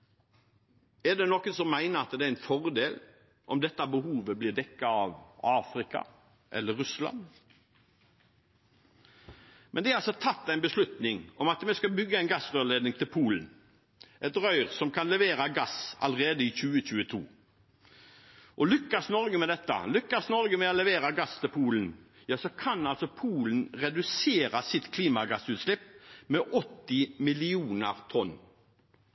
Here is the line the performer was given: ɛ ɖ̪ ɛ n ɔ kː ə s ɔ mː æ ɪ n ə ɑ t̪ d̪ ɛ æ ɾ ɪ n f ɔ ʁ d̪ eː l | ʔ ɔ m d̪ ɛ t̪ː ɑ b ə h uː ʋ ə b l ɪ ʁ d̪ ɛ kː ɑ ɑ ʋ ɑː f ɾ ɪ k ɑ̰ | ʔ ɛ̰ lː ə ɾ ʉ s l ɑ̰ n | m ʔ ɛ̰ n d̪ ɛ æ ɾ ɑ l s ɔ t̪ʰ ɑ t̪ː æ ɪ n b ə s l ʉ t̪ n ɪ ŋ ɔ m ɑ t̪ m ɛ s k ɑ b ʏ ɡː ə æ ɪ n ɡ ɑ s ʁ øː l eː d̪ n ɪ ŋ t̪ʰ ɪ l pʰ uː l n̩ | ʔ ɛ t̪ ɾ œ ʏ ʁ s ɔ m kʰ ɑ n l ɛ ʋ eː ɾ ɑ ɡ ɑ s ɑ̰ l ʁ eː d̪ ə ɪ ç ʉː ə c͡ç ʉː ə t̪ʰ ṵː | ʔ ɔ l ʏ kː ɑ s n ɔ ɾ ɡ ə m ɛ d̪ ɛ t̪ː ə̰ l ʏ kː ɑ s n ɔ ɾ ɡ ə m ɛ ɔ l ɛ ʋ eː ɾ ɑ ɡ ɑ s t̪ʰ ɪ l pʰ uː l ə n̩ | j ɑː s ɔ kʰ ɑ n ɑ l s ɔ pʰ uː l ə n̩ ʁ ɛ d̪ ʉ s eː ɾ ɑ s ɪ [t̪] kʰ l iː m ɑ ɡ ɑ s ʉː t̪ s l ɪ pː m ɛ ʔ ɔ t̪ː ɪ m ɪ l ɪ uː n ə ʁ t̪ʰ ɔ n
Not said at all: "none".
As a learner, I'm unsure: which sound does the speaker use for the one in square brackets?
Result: t̪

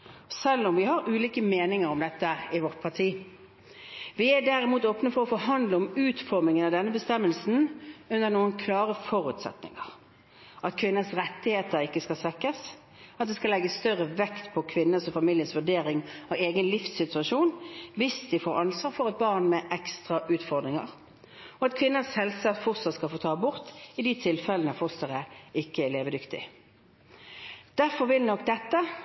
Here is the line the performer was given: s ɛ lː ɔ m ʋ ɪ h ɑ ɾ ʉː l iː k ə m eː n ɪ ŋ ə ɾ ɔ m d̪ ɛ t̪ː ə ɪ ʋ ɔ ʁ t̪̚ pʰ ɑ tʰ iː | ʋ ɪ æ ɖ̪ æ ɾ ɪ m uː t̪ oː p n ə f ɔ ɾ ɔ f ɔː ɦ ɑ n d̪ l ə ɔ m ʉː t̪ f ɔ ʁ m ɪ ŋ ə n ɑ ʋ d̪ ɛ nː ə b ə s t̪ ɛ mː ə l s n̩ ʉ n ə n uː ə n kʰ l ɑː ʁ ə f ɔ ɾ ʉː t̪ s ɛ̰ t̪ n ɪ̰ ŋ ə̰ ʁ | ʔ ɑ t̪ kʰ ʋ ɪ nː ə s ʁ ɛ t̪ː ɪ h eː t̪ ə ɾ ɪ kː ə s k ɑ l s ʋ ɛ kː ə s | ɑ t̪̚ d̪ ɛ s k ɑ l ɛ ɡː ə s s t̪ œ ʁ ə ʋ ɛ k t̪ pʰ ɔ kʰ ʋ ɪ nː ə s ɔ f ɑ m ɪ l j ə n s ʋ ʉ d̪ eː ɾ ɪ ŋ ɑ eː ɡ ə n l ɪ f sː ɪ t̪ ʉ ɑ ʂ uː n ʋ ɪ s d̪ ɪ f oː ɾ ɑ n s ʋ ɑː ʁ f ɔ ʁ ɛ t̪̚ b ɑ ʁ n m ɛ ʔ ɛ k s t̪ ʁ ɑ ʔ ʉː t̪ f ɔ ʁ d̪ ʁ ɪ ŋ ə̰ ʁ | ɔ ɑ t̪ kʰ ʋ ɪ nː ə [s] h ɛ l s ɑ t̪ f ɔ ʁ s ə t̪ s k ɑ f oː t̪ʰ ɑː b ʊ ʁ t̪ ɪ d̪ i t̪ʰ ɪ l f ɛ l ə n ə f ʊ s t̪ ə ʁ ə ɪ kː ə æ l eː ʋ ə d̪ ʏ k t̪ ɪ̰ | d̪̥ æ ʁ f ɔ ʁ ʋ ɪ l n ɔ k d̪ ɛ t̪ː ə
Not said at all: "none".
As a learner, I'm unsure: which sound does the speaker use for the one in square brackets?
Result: s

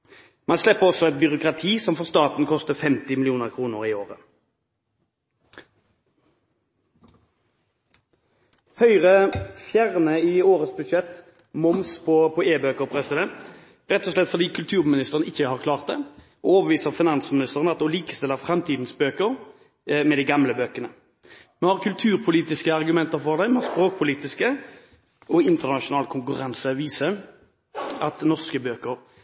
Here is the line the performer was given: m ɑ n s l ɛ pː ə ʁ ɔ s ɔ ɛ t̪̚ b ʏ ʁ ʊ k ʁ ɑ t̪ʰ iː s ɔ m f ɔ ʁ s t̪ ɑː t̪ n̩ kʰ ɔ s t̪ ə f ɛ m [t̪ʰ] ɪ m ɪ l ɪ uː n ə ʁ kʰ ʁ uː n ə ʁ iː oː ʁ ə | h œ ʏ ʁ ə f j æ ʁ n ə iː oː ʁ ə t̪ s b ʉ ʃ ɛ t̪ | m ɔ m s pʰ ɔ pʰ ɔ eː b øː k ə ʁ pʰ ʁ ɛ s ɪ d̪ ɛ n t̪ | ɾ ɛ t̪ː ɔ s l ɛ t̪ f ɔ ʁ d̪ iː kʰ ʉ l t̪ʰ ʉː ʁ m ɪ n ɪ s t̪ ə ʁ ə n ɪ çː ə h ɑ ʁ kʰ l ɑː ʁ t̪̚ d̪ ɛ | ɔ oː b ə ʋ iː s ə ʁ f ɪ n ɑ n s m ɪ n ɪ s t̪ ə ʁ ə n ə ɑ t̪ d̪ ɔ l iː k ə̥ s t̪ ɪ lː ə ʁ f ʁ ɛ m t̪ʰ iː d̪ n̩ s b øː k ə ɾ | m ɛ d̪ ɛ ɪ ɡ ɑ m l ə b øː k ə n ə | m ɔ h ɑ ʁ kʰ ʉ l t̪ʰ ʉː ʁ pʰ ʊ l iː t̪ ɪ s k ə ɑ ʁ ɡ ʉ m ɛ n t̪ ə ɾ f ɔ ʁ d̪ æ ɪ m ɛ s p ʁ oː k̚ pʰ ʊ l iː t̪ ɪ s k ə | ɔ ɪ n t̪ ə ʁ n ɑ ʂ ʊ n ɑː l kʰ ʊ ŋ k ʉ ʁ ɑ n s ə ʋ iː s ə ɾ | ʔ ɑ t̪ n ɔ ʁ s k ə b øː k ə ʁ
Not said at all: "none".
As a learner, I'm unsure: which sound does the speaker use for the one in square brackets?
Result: t̪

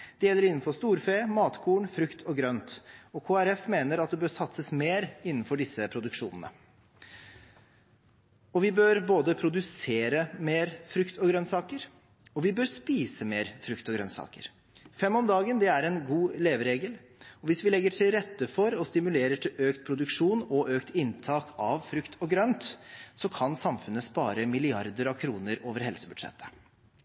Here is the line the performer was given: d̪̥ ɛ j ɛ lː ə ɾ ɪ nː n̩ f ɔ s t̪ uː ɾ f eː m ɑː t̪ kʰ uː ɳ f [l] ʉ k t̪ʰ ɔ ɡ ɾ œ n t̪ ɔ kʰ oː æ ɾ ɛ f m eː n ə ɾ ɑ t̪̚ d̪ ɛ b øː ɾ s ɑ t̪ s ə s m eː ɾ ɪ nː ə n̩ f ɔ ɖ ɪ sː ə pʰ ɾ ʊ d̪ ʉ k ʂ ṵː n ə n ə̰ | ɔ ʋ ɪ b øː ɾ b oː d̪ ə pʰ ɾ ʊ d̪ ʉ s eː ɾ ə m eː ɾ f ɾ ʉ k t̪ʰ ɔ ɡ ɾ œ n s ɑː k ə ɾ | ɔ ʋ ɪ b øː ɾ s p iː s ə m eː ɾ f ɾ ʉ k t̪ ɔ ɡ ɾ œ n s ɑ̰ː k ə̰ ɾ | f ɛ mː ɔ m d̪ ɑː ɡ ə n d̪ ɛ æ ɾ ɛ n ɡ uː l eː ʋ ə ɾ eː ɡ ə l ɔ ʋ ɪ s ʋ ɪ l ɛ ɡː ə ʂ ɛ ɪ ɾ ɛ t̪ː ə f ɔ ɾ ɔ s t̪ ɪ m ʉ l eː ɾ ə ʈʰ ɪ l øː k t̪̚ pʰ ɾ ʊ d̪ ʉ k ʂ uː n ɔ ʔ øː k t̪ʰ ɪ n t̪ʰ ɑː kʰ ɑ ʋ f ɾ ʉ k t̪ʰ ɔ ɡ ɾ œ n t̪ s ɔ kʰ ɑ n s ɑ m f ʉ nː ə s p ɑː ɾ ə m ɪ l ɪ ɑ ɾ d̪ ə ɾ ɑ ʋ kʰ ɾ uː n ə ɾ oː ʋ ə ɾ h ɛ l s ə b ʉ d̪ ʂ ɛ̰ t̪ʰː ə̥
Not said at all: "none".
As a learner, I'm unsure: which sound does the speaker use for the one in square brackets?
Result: ɾ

